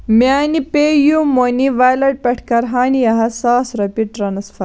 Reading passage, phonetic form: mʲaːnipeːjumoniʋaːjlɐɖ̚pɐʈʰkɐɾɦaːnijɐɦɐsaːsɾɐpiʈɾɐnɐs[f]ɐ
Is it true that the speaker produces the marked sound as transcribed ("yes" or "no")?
yes